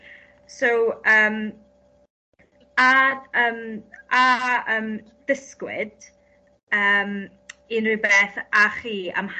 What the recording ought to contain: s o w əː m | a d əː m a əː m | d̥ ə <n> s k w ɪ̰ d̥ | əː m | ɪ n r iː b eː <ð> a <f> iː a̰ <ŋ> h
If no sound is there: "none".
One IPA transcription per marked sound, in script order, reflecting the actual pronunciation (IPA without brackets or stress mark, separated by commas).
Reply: none, θ, χ, m